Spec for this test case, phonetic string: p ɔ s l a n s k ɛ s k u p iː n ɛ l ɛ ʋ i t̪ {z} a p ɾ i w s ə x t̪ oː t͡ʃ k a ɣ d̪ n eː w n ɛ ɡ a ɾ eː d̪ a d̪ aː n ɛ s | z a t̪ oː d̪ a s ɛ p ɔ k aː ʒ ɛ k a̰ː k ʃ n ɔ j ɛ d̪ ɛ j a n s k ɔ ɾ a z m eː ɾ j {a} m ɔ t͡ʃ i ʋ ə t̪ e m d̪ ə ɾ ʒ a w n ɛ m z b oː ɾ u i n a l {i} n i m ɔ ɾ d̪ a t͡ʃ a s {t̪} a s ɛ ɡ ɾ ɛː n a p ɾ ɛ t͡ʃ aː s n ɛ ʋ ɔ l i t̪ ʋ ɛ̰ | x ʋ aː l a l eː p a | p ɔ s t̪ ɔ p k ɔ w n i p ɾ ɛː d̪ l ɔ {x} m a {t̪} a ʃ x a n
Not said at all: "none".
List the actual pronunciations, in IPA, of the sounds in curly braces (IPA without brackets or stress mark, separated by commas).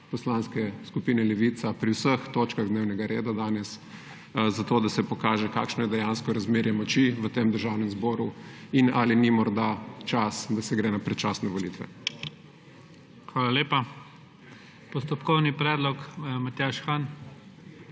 s, ɛ, i, d̪, k, t̪